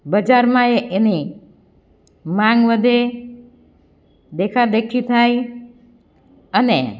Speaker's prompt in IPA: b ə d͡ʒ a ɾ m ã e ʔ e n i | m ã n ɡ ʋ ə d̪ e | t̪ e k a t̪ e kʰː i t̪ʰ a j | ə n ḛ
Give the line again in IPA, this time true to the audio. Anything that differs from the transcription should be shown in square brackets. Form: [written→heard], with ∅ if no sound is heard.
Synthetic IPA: b ə d͡ʒ a ɾ m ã e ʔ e n i | m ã [n→ŋ] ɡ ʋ ə d̪ e | [t̪→d̪] e [k→kʰ] a [t̪→d̪] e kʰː i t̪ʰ a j | ə n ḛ